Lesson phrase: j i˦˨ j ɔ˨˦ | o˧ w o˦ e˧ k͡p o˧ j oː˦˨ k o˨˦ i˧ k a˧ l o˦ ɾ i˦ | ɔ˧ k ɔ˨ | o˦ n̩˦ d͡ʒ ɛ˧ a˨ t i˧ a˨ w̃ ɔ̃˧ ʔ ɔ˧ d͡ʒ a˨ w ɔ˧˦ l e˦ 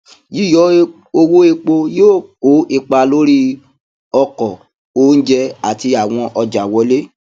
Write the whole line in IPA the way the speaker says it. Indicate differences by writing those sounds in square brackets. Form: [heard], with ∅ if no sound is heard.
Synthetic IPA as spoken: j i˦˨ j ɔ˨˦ | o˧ w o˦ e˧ k͡p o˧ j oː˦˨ k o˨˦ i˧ [k͡p] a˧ l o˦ ɾ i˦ | ɔ˧ k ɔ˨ | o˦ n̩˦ d͡ʒ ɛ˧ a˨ t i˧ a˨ w̃ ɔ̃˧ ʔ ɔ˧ d͡ʒ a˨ w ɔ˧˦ l e˦

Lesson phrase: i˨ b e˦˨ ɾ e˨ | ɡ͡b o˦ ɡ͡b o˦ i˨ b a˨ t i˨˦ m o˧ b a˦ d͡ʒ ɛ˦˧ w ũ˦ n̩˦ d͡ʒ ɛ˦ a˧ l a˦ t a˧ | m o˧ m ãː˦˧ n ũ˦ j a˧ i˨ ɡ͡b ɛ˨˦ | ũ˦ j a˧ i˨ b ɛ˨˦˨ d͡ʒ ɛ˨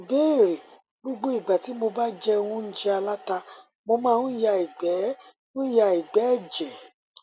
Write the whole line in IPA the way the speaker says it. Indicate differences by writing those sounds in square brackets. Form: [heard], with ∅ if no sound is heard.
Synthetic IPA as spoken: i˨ b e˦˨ ɾ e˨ | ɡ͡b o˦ ɡ͡b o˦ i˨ [ɡ͡b] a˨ t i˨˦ m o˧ b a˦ d͡ʒ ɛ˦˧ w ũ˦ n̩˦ d͡ʒ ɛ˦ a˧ l a˦ t a˧ | m o˧ m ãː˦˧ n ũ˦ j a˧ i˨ ɡ͡b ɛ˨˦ | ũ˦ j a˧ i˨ [ɡ͡b] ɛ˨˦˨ d͡ʒ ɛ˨

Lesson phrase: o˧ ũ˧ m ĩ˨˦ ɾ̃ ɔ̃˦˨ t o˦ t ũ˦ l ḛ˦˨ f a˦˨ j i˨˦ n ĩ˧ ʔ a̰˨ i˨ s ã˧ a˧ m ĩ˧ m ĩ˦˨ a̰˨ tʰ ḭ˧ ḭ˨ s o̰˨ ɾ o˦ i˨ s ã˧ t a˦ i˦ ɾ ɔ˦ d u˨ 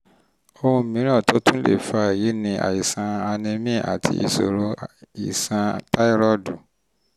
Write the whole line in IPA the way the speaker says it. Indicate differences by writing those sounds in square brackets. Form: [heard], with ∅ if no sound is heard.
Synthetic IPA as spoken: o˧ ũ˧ m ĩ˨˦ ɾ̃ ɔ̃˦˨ t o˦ t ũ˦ l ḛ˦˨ f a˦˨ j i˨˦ n ĩ˧ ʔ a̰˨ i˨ s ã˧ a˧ [n] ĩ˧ m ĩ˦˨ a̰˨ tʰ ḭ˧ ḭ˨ s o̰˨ ɾ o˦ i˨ s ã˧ t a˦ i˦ ɾ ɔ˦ d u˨

